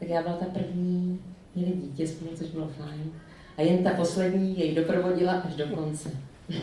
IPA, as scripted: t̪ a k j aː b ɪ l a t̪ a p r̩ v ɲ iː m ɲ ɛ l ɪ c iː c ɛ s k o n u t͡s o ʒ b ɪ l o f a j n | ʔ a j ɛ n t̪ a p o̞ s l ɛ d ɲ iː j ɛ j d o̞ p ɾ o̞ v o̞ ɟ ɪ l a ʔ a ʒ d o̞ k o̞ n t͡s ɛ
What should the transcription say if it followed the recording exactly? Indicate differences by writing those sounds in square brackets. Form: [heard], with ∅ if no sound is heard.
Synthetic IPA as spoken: t̪ a k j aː b ɪ l a t̪ a p r̩ v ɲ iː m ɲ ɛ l ɪ [ɟ] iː c ɛ s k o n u t͡s o ʒ b ɪ l o f a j n | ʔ a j ɛ n t̪ a p o̞ s l ɛ d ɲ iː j ɛ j d o̞ p ɾ o̞ v o̞ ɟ ɪ l a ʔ a ʒ d o̞ k o̞ n t͡s ɛ